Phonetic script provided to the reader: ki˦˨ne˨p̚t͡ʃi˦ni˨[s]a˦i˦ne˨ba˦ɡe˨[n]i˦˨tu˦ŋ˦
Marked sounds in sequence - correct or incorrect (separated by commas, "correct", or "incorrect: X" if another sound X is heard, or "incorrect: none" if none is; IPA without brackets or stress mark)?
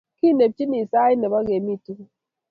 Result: correct, incorrect: m